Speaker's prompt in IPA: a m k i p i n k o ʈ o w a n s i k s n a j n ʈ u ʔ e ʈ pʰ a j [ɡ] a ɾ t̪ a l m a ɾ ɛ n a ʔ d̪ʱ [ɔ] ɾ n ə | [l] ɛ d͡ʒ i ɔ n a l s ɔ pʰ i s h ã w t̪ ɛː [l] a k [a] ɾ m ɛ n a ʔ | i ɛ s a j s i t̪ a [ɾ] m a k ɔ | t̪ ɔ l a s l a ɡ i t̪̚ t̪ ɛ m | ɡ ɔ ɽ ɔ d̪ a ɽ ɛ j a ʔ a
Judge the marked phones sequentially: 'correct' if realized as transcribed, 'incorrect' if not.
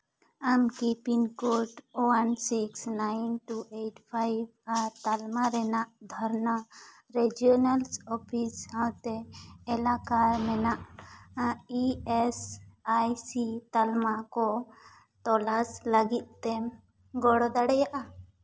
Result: incorrect, correct, incorrect, correct, correct, incorrect

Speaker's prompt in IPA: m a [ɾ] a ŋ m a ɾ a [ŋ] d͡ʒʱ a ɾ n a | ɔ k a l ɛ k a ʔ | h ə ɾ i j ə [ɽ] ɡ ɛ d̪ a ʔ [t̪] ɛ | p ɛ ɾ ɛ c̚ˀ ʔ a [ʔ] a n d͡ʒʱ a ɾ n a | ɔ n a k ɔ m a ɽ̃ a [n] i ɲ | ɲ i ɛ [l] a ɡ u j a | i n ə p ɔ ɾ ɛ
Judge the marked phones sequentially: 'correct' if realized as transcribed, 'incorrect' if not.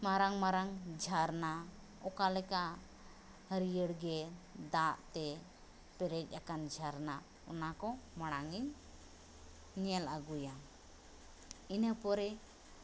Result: correct, correct, correct, correct, incorrect, incorrect, correct

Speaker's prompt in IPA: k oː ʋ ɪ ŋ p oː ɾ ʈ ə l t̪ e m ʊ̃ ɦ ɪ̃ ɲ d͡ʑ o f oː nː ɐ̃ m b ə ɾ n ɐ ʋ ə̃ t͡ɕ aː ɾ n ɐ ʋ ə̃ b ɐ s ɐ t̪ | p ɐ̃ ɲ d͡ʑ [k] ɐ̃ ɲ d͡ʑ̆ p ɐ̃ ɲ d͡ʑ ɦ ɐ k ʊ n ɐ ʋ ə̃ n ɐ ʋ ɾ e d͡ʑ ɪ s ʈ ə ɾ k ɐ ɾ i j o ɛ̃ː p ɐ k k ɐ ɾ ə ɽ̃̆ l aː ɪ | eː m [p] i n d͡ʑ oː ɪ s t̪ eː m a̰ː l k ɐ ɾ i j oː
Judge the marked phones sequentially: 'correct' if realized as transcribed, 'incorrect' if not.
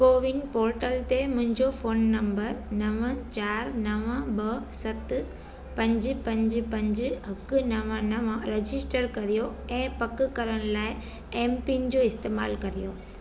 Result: incorrect, correct

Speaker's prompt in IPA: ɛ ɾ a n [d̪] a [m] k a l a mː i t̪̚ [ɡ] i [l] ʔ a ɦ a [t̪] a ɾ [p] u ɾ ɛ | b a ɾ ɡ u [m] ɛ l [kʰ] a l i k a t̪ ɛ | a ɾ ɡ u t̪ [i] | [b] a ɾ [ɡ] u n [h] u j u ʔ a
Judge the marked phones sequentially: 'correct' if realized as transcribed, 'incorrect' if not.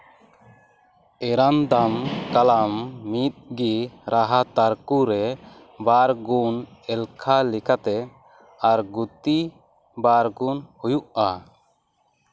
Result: correct, correct, correct, incorrect, correct, incorrect, incorrect, correct, correct, correct, correct, correct

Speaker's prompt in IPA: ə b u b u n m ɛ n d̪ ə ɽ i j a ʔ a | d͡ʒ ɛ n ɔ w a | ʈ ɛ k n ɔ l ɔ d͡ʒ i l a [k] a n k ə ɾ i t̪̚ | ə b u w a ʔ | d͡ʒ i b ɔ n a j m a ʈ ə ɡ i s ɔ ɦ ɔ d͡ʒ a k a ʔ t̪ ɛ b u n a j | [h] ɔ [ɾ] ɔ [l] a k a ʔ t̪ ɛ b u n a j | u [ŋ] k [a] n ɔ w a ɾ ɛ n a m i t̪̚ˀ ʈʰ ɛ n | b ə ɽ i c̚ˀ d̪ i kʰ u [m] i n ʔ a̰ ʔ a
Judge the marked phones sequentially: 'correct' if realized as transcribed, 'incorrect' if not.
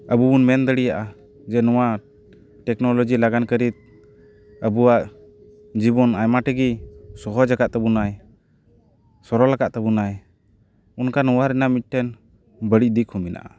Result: incorrect, incorrect, correct, correct, incorrect, correct, correct

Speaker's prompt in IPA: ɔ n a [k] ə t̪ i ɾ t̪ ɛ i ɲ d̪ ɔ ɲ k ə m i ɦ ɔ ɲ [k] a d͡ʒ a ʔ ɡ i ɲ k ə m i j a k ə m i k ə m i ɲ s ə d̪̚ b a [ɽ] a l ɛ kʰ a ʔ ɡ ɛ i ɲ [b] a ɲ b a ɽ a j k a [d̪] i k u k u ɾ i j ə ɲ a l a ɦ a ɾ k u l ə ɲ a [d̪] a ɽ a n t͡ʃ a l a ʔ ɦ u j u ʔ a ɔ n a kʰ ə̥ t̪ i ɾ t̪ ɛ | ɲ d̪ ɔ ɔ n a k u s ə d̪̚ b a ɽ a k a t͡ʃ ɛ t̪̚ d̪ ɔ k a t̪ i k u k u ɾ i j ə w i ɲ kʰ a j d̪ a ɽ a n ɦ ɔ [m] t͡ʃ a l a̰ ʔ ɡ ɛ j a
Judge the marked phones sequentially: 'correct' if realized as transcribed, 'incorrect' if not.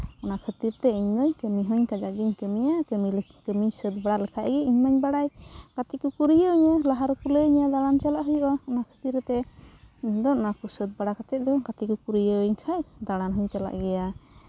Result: incorrect, correct, correct, incorrect, incorrect, correct, incorrect

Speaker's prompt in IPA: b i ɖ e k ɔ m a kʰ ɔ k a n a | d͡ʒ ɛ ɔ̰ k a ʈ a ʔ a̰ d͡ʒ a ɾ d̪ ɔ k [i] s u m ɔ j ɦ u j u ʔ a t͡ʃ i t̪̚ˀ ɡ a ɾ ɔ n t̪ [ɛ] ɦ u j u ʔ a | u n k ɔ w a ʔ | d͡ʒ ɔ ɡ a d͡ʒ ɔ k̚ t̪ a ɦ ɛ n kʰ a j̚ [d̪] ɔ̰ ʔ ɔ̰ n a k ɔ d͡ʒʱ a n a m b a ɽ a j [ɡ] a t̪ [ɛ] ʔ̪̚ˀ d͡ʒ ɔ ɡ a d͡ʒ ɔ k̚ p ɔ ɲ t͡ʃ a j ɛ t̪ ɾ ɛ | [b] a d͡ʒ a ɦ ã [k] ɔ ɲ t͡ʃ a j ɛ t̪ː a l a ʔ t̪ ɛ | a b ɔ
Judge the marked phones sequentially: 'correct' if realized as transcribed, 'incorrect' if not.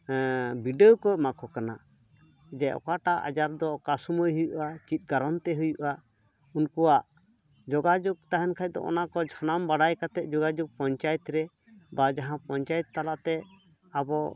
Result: incorrect, correct, correct, incorrect, correct, correct, incorrect

